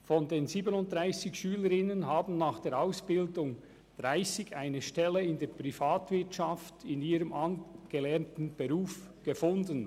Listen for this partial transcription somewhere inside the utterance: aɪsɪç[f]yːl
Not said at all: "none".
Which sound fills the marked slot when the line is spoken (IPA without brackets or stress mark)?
ʃ